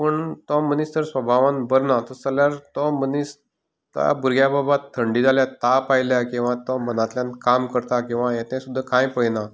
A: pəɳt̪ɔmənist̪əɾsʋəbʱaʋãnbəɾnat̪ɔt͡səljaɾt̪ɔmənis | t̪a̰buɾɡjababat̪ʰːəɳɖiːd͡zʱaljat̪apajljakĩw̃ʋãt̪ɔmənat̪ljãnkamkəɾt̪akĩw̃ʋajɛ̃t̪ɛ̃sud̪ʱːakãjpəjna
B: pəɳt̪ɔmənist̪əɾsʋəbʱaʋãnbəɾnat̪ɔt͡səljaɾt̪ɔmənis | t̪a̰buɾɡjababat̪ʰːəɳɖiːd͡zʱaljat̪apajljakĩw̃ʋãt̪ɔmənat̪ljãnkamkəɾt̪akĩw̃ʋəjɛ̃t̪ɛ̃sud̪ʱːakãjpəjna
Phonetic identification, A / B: A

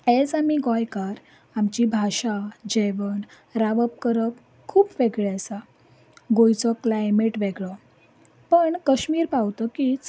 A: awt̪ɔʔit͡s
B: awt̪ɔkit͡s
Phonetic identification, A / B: B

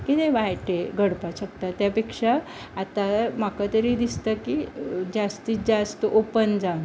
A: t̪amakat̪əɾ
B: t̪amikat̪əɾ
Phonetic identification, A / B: A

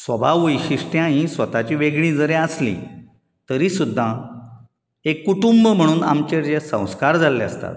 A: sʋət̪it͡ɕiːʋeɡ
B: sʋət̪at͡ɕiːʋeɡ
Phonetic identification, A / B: B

